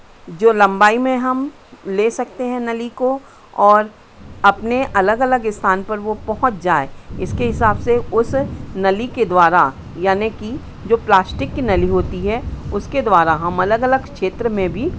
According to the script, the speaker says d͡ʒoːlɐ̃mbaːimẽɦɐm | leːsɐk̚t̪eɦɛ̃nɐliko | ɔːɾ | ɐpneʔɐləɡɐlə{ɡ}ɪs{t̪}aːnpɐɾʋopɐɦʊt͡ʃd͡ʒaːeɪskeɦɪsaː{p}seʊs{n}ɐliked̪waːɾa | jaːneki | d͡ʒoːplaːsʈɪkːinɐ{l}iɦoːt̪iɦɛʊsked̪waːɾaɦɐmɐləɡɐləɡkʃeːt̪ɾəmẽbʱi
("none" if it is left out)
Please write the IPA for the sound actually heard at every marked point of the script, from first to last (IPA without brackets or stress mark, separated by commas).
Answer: ɡ, t̪ʰ, b, n, l